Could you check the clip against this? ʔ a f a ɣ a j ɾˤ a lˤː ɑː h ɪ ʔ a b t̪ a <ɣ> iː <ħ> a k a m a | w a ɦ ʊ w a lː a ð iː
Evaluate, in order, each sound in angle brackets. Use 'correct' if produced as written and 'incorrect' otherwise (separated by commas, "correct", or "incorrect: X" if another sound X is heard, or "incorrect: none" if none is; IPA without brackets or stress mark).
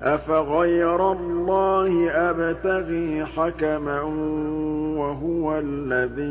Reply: correct, correct